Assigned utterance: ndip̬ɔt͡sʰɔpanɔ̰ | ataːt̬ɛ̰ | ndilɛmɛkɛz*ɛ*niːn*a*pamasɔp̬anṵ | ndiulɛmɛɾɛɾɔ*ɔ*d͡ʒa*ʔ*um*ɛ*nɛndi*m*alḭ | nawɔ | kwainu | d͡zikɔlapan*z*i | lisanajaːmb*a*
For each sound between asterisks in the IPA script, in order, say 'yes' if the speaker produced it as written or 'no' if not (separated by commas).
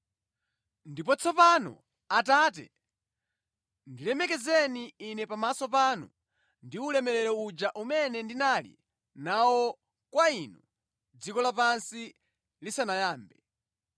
yes, no, no, yes, yes, no, no, no